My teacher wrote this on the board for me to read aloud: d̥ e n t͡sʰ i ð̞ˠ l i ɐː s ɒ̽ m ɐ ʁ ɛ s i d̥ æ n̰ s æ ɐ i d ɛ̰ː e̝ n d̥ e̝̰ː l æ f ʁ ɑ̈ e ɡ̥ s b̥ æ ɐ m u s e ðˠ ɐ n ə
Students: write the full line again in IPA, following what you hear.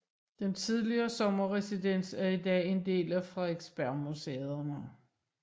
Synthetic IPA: d̥ e n t͡sʰ i ð̞ˠ l i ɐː s ɒ̽ m ɐ ʁ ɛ s i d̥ e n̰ s æ ɐ i d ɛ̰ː e̝ n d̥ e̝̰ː l æ f ʁ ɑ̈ e ɡ̥ s b̥ æ ɐ m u s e ðˠ ɐ n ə